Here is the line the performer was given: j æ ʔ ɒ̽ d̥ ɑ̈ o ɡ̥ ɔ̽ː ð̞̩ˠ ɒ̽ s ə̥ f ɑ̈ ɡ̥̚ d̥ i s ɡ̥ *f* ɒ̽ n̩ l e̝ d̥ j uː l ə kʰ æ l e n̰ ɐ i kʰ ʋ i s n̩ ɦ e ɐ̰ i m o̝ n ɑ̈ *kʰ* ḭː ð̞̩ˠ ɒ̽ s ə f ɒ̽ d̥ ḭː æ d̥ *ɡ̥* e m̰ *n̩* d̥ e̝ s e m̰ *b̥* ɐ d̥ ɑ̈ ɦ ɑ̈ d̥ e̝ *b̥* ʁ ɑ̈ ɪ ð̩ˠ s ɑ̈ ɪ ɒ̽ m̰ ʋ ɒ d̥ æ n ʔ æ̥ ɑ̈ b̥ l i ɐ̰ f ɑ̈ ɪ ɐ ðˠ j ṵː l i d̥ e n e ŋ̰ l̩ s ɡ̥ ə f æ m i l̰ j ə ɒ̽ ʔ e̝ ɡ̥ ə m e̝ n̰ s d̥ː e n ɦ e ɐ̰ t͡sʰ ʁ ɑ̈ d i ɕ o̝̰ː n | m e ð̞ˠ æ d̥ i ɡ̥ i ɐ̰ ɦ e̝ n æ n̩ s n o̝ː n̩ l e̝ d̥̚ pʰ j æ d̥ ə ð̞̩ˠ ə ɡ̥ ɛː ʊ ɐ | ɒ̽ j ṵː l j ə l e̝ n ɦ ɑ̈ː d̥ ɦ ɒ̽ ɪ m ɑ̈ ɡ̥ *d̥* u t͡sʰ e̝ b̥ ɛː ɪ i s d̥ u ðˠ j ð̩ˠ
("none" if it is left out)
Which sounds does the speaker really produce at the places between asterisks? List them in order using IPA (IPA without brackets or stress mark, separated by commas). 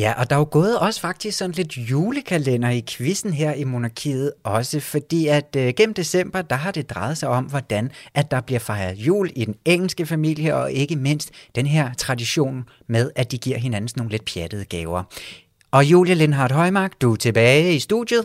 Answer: s, kʰ, ɡ̥, m̩, b̥, d̥, d̥